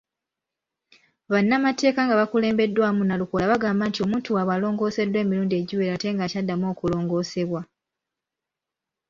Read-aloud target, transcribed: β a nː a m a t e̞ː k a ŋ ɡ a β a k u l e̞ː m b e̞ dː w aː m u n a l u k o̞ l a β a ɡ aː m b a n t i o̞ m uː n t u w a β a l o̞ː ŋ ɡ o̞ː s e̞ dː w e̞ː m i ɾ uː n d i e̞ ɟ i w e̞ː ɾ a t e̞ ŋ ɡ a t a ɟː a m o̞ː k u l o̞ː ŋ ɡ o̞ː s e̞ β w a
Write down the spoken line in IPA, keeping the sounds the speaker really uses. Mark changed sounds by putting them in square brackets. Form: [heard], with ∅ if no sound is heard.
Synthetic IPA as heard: β a nː a m a t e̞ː k a ŋ ɡ a β a k u l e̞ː m b e̞ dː w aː m u n a l u k o̞ l a β a ɡ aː m b a n t i o̞ m uː n t u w a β a l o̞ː ŋ ɡ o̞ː s e̞ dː w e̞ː m i ɾ uː n d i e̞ ɟ i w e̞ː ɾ a t e̞ ŋ ɡ a [c] a [dː] a m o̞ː k u l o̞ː ŋ ɡ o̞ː s e̞ β w a